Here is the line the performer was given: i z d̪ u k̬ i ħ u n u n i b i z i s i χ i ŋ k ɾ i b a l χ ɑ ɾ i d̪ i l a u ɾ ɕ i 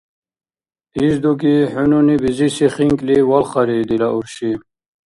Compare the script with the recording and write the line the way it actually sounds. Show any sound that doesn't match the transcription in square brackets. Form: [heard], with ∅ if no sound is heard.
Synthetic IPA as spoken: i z d̪ u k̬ i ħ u n u n i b i z i s i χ i ŋ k [l] i [w] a l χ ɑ ɾ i d̪ i l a u ɾ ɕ i